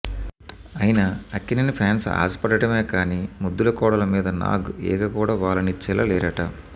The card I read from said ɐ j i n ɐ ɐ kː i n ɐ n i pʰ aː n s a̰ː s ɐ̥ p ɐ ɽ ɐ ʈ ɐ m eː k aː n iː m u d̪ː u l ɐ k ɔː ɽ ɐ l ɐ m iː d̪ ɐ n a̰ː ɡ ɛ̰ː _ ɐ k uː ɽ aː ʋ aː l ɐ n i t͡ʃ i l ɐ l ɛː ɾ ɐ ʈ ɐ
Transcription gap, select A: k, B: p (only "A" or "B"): A